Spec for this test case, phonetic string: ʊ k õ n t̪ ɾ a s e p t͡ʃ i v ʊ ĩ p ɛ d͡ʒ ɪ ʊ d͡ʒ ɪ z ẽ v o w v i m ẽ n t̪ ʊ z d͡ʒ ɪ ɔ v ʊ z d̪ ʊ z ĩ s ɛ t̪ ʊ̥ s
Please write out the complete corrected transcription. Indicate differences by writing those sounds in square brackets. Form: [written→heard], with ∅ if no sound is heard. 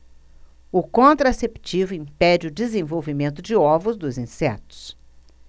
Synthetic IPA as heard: ʊ k õ n t̪ ɾ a s e p t͡ʃ i v ʊ ĩ p ɛ d͡ʒ ɪ ʊ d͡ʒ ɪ z ẽ v o w v i m ẽ n t̪ ʊ [z→∅] d͡ʒ ɪ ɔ v ʊ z d̪ ʊ z ĩ s ɛ t̪ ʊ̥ s